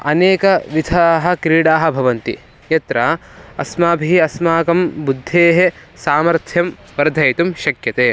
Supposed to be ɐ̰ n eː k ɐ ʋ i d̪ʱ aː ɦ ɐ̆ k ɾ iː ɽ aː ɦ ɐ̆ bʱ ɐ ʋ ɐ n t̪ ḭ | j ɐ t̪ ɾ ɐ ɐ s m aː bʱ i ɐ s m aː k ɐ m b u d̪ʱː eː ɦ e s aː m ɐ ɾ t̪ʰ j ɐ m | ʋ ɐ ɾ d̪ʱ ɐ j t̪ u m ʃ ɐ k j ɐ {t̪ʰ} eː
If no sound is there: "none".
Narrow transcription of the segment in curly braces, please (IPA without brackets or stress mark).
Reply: t̪